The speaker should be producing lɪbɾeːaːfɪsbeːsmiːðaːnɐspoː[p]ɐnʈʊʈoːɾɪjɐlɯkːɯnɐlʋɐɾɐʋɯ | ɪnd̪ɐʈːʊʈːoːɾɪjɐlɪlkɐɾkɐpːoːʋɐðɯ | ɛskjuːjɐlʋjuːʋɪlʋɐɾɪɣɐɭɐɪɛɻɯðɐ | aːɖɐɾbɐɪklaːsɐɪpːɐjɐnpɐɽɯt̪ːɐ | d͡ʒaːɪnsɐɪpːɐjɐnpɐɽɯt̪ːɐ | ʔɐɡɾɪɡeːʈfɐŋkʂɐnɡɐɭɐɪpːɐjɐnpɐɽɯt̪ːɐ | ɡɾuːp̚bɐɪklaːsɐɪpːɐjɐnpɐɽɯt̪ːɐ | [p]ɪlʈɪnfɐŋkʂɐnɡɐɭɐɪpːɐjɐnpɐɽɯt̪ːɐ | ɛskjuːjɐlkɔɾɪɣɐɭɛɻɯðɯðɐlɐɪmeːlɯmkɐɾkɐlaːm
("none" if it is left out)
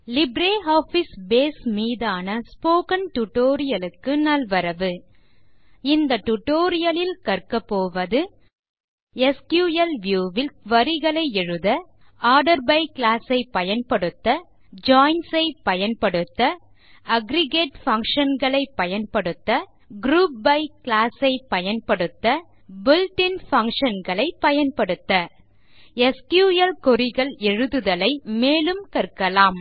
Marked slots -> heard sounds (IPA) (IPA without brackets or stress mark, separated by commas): k, b